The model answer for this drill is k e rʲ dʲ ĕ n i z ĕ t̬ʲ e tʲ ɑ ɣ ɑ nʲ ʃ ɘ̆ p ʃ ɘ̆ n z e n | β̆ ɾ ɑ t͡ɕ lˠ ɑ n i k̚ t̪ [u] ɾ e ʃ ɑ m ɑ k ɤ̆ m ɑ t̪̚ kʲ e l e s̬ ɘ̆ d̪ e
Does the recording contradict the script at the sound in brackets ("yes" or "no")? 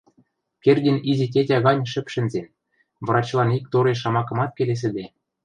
yes